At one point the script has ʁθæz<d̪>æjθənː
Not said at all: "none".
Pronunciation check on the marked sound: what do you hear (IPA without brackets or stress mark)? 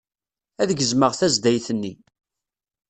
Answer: d̪